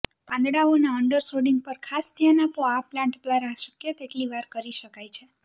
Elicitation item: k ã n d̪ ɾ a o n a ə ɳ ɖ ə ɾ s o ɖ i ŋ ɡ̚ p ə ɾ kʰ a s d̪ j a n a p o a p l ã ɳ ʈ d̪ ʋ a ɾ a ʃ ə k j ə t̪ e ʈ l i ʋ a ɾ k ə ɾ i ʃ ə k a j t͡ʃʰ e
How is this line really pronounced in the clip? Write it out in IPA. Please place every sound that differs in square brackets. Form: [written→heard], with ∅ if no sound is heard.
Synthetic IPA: [k→p] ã n d̪ [ɾ→ɽ] a o n a ə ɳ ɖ ə ɾ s o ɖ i ŋ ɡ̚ p ə ɾ kʰ a s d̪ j a n a p o a p l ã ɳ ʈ d̪ ʋ a ɾ a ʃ ə k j ə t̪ e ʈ l i ʋ a ɾ k ə ɾ i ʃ ə k a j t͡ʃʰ e